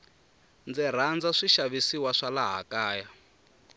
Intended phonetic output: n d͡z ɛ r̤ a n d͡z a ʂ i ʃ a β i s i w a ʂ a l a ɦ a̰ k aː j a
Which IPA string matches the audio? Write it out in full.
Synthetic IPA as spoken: n d͡z ɛ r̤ a n d͡z a ʂ i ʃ a β i s i w a ʂ a l a ɦ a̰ k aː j a

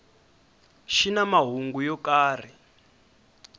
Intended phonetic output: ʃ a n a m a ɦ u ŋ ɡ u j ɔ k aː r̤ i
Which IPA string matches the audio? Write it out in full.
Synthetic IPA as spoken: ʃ i n a m a ɦ u ŋ ɡ u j ɔ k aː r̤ i

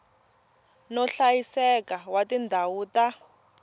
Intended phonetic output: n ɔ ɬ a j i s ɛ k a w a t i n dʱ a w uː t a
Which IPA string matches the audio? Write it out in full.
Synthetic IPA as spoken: n ɔ ɬ a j i s ɛ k a w a t i n dʱ a w uː t a

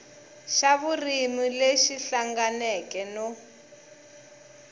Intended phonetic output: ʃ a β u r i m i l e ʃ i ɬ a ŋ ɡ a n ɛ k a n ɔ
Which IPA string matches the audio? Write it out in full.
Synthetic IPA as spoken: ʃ a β u r i m i l e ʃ i ɬ a ŋ ɡ a n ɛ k ɛ n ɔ

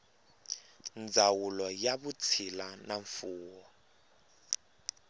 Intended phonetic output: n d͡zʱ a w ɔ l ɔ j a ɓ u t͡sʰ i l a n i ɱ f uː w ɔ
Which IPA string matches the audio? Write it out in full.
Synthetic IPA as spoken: n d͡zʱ a w u l ɔ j a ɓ u t͡sʰ i l a n a ɱ f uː w ɔ

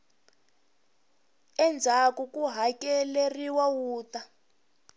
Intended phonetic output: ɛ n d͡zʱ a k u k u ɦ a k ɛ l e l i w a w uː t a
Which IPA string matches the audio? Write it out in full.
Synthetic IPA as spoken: ɛ n d͡zʱ a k u k u ɦ a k ɛ l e r i w a w uː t a

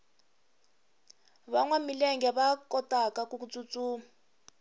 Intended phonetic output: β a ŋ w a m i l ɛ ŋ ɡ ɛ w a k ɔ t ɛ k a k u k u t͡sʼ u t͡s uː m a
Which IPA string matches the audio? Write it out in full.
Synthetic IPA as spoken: β a ŋ w a m i l ɛ ŋ ɡ ɛ β a k ɔ t a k a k u k u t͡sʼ u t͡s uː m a

